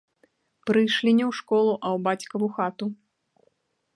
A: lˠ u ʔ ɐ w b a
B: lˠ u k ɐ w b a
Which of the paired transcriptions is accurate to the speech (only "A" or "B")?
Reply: A